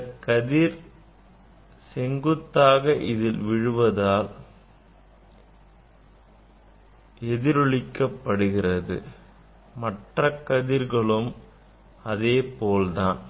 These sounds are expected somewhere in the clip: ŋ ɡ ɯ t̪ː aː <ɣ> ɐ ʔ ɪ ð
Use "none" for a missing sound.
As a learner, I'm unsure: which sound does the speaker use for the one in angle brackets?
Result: ɣ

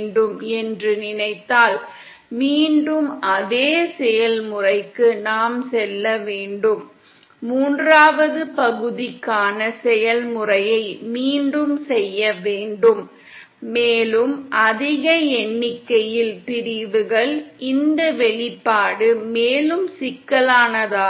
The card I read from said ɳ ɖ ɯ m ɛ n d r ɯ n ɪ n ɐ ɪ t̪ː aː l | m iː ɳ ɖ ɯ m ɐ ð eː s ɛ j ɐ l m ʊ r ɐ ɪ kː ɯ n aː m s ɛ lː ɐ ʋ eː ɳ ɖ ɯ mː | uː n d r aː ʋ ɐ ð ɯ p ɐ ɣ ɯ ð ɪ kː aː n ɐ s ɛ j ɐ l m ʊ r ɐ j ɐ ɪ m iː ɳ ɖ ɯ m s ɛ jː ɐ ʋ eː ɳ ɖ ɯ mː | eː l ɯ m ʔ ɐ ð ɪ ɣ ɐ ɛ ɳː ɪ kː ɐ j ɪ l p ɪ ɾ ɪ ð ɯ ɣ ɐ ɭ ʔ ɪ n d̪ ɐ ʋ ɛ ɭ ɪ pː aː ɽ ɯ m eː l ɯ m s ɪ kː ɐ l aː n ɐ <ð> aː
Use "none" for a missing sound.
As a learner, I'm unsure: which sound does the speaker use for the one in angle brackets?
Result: ð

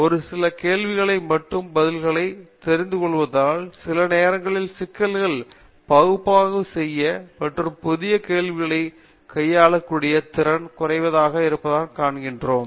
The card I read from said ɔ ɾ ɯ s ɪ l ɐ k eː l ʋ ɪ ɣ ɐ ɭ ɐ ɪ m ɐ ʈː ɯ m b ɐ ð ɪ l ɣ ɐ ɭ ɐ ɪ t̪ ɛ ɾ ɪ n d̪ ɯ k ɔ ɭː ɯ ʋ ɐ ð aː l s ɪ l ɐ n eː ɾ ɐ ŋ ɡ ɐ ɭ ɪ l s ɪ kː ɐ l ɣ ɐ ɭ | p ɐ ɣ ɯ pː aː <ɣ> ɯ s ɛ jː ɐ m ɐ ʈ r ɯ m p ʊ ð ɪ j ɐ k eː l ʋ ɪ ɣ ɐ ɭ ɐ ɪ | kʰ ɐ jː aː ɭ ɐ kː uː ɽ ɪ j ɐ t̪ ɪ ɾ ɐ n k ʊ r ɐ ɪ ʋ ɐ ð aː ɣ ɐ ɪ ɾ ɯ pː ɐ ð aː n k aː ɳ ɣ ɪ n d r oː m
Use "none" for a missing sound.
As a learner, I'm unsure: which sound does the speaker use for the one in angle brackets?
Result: ɣ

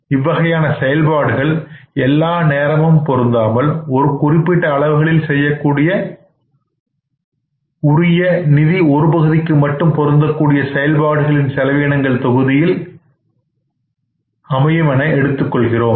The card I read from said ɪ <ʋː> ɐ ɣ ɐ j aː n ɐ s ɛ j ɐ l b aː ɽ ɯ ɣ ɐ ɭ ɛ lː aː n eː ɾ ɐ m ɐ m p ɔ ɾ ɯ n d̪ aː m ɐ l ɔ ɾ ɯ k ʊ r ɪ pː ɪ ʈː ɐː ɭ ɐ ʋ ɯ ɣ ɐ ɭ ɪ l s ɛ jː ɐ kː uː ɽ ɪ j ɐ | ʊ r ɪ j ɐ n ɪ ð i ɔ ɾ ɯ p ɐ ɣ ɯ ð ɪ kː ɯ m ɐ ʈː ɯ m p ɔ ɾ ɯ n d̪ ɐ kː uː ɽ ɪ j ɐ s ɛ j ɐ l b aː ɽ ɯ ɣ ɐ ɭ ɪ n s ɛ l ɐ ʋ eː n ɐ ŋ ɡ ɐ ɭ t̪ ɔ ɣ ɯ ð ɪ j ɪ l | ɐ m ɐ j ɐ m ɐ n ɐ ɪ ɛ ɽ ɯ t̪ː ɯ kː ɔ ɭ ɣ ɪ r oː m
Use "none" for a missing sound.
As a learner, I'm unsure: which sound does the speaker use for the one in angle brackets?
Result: ʋː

